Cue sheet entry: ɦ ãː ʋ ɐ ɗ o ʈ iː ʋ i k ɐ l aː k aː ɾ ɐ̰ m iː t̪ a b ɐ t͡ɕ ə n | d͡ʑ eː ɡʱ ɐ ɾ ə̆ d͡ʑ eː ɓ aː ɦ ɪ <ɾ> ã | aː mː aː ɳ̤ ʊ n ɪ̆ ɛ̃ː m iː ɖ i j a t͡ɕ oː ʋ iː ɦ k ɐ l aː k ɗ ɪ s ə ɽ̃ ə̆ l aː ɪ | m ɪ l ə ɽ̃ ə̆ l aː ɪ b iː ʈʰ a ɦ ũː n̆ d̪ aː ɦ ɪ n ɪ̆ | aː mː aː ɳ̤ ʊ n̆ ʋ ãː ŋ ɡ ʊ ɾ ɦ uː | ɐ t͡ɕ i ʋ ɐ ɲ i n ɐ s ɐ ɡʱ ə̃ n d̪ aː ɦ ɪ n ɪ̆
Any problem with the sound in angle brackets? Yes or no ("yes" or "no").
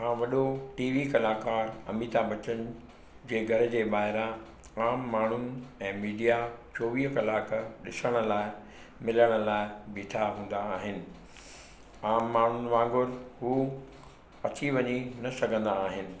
no